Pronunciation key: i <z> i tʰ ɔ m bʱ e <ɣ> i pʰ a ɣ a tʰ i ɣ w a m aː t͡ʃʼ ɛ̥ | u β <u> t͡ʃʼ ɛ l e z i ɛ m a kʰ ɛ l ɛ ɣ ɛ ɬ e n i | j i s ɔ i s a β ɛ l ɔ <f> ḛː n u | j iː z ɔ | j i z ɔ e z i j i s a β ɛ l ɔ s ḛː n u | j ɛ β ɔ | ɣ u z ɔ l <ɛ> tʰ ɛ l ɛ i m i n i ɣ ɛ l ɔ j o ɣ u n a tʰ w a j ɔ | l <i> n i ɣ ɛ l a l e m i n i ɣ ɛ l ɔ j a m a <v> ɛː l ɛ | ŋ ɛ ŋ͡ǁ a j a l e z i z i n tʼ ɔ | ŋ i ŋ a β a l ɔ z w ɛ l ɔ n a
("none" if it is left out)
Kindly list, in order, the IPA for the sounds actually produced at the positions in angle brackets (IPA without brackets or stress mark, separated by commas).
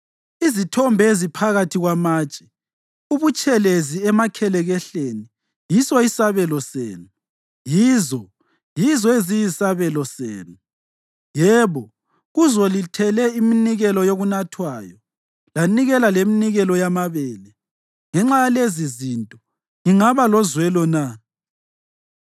z, z, u, s, i, a, β